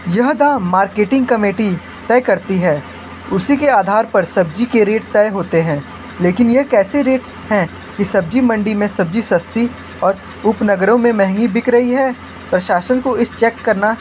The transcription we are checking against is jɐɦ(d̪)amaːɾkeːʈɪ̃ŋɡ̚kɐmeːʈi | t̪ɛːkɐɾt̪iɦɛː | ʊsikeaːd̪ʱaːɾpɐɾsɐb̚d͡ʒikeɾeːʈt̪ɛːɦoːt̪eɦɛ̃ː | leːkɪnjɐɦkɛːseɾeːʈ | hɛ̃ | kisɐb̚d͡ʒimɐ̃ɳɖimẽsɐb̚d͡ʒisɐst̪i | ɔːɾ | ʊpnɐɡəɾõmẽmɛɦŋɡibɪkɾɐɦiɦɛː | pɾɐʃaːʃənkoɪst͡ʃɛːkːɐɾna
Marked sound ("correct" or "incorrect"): correct